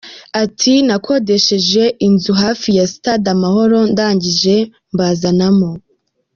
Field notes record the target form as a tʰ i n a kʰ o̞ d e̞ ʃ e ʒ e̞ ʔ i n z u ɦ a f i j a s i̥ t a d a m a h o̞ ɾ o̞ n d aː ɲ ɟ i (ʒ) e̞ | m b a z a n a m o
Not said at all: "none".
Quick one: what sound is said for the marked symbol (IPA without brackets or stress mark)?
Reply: ʒ